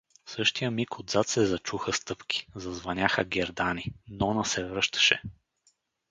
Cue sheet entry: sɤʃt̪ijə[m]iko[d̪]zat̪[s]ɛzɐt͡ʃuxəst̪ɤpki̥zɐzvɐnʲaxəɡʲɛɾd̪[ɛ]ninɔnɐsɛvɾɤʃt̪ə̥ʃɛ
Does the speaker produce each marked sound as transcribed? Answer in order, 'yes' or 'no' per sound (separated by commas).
yes, yes, yes, no